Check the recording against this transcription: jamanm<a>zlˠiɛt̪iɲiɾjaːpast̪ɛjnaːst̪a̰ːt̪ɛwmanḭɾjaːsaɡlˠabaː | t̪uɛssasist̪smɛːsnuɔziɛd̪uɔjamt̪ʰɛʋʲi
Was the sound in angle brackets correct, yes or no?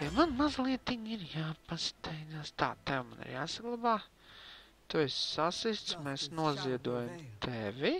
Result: yes